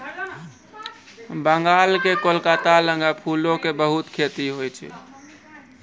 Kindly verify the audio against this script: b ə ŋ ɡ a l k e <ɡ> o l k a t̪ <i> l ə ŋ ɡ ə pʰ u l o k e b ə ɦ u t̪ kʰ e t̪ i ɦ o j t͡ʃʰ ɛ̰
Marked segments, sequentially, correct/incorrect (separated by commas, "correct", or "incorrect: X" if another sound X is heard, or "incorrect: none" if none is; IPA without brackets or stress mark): incorrect: k, incorrect: a